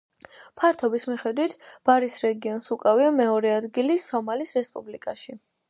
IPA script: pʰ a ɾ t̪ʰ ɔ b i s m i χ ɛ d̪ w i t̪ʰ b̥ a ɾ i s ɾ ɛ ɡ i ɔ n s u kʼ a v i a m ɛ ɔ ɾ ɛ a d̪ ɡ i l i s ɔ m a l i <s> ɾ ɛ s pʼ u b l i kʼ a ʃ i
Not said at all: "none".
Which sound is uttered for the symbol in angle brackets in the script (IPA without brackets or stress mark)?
s